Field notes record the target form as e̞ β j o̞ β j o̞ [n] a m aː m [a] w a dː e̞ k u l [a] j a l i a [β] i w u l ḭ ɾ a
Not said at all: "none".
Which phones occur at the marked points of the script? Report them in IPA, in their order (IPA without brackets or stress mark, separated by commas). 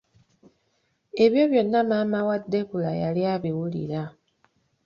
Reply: nː, a, a, β